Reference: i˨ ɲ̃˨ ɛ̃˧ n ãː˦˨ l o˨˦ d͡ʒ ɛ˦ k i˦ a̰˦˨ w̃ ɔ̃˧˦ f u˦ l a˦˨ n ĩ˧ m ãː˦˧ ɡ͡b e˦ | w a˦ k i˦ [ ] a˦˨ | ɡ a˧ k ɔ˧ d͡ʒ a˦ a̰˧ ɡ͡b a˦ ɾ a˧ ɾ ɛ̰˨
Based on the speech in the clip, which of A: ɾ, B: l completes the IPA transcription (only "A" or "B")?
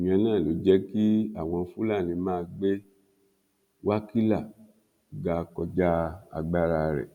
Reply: B